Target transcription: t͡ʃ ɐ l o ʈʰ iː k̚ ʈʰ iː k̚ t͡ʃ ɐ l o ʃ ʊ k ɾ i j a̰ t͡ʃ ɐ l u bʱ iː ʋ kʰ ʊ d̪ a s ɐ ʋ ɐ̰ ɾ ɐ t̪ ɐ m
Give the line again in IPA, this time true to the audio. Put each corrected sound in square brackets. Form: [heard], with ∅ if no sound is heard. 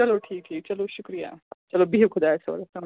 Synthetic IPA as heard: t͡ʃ ɐ l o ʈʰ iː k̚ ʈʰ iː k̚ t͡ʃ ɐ l o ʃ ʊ k ɾ i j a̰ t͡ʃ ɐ l [o] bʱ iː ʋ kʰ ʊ d̪ a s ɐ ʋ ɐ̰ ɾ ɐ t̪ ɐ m